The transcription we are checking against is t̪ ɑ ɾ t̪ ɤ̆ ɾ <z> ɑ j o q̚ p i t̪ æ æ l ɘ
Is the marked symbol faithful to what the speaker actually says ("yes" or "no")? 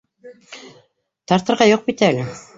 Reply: no